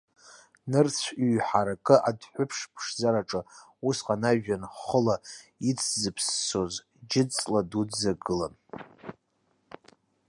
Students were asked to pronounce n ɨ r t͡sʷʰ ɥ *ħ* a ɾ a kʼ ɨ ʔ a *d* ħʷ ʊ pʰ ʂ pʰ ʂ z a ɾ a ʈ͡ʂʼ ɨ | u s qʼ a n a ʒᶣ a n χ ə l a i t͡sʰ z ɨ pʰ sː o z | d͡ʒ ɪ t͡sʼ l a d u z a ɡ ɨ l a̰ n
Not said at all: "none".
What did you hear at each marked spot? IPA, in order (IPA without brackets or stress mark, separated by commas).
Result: ħ, d